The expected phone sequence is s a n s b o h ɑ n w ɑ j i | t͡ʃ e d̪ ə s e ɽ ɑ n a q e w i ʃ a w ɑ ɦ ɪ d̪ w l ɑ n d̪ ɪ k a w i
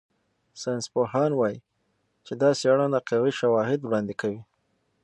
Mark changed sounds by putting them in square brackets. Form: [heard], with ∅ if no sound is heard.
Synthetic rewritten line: s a n s [p] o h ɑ n w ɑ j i | t͡ʃ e d̪ [ɑ] s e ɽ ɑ n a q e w i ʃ a w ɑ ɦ ɪ d̪ w [ɽ] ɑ n d̪ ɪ k a w i